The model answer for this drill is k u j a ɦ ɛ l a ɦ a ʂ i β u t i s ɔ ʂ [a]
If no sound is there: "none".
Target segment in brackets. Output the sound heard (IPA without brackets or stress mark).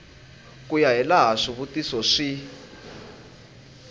i